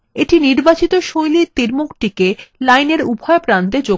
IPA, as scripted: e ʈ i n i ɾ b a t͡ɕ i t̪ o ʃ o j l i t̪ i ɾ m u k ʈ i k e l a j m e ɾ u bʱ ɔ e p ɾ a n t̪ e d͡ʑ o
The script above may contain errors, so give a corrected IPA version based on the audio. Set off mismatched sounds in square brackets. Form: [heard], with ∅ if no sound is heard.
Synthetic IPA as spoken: e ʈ i n i ɾ b a t͡ɕ i t̪ o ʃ o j l i t̪ i ɾ m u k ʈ i k e l a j [n] e ɾ u bʱ ɔ e p ɾ a n t̪ e d͡ʑ o